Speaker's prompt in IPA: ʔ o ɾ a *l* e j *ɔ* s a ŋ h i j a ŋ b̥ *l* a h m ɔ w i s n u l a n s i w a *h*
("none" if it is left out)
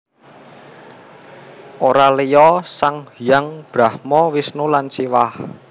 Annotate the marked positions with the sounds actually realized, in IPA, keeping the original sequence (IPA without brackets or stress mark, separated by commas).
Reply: l, ɔ, ɾ, h